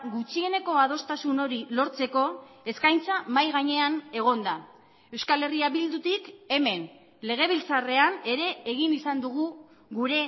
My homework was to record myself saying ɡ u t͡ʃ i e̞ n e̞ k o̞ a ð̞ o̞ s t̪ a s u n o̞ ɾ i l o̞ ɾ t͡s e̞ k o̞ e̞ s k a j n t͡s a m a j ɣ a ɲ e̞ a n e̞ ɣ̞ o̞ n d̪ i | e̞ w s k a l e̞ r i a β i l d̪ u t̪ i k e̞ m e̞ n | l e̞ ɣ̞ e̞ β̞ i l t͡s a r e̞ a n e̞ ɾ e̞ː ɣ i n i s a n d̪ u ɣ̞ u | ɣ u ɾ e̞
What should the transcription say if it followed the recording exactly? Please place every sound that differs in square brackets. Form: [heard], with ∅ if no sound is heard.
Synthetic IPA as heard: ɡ u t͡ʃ i e̞ n e̞ k o̞ a ð̞ o̞ s t̪ a s u n o̞ ɾ i l o̞ ɾ t͡s e̞ k o̞ e̞ s k a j n t͡s a m a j ɣ a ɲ e̞ a n e̞ ɣ̞ o̞ n d̪ [a] | e̞ w s k a l e̞ r i a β i l d̪ u t̪ i k e̞ m e̞ n | l e̞ ɣ̞ e̞ β̞ i l t͡s a r e̞ a n e̞ ɾ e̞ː ɣ i n i s a n d̪ u ɣ̞ u | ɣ u ɾ e̞